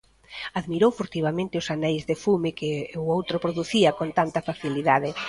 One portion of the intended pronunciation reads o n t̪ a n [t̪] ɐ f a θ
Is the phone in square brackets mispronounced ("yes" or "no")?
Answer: no